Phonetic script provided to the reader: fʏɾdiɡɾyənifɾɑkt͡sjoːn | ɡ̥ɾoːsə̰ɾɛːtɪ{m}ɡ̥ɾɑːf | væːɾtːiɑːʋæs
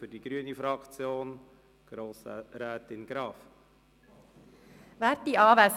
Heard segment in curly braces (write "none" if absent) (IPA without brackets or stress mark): n